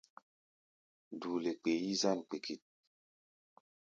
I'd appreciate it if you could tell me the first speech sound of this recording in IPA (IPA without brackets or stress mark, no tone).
d